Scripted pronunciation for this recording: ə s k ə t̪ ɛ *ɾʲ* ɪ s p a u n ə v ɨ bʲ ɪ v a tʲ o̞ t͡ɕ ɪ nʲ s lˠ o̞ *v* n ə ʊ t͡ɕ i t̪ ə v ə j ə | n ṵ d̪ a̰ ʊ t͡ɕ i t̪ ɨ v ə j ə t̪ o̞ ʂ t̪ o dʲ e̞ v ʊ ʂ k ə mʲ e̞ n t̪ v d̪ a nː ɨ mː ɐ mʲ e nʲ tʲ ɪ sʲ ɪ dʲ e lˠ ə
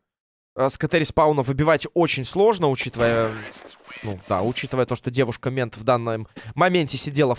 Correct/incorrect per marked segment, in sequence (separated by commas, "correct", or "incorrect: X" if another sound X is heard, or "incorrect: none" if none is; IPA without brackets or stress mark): correct, incorrect: ʐ